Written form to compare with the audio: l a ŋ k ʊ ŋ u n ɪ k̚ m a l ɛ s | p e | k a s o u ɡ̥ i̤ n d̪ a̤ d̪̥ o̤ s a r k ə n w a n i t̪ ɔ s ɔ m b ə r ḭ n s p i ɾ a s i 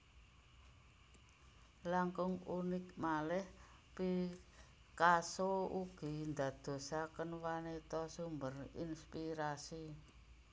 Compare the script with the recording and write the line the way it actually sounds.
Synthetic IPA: l a ŋ k ʊ ŋ u n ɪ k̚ m a l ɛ h | p i | k a s o u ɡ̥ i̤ n d̪ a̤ d̪̥ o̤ s a k ə n w a n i t̪ ɔ s u m b ə r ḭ n s p i ɾ a s i